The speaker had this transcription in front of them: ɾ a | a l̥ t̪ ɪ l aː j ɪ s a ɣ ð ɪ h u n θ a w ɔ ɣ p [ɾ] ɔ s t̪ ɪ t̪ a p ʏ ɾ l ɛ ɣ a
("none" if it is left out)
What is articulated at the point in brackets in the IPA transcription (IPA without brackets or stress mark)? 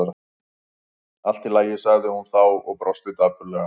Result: ɾ